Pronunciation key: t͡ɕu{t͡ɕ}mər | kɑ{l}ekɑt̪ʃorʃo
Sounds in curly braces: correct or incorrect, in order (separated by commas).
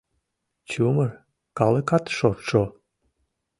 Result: incorrect, correct